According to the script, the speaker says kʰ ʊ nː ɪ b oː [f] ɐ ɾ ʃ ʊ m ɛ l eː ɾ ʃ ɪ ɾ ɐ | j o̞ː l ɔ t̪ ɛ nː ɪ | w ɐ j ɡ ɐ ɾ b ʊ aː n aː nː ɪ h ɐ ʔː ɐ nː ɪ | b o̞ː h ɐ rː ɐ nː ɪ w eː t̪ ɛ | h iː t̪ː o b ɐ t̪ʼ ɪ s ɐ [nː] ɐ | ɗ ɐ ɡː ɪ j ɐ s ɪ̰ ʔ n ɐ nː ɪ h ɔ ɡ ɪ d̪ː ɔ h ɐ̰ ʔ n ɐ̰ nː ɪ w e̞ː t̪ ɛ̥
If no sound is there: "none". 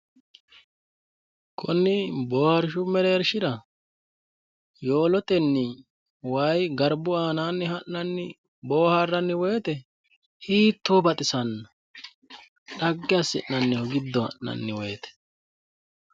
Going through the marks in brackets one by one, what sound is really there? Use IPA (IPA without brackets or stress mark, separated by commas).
h, nː